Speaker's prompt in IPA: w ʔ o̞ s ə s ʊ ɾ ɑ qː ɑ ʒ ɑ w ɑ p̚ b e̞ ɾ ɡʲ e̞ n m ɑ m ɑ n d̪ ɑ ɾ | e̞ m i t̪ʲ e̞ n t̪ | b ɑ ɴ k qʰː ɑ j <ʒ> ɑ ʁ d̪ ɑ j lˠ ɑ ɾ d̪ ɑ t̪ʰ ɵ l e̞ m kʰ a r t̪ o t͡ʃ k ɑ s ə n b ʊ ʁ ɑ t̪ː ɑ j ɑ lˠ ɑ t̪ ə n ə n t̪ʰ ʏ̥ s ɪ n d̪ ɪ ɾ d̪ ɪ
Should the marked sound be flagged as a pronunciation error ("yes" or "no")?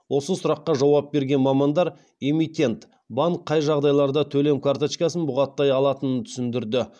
no